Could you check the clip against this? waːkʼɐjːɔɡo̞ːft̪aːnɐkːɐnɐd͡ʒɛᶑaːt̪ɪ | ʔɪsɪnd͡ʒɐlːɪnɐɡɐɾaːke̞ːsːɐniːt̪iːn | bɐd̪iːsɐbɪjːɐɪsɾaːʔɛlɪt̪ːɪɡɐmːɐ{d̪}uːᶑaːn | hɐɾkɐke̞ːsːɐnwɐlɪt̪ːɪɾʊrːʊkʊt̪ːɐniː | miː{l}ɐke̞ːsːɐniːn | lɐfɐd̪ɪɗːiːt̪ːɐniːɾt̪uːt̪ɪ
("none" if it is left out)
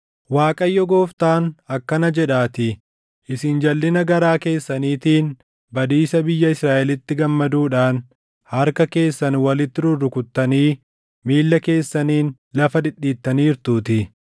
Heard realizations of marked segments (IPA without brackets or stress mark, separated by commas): d̪, lː